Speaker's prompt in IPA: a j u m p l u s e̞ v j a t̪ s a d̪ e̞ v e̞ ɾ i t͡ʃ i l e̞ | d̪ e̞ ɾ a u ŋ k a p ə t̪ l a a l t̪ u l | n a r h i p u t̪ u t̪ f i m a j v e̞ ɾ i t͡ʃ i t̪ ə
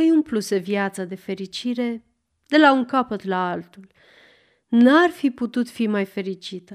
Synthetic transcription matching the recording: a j u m p l u s e̞ v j a t̪ s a d̪ e̞ f e̞ ɾ i t͡ʃ i ɾ e̞ | d̪ e̞ l a u ŋ k a p ə t̪ l a a l t̪ u l | n a r f i p u t̪ u t̪ f i m a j f e̞ ɾ i t͡ʃ i t̪ ə